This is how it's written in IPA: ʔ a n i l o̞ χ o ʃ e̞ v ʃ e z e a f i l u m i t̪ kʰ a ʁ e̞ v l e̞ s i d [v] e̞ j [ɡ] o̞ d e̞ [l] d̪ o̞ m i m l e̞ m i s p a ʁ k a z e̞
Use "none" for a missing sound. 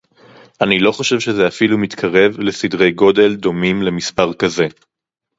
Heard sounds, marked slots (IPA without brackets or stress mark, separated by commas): ʁ, ɡ, l